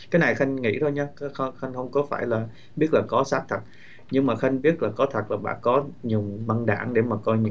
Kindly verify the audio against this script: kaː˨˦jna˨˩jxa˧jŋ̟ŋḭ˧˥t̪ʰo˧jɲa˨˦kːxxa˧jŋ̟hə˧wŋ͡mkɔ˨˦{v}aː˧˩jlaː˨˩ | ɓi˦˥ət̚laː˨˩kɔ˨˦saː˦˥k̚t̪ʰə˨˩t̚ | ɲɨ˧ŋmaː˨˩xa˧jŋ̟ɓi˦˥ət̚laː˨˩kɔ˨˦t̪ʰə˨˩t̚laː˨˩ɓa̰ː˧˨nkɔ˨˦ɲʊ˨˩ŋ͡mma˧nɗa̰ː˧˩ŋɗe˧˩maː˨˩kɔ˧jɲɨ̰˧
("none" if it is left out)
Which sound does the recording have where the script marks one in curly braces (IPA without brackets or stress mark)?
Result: f